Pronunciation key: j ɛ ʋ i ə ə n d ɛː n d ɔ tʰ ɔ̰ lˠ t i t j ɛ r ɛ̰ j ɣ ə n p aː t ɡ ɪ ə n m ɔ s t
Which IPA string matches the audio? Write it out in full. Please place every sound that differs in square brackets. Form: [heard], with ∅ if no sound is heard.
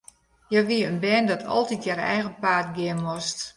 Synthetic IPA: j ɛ ʋ i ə ə n [b] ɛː n d ɔ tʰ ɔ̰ lˠ t i t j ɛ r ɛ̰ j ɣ ə n p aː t ɡ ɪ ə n m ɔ s t